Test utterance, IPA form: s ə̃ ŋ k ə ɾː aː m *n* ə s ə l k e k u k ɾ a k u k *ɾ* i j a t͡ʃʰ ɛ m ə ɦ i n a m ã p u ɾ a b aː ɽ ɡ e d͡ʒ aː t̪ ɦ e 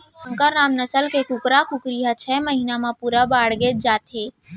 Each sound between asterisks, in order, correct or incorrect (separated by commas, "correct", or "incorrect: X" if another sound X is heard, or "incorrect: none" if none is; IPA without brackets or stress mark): correct, correct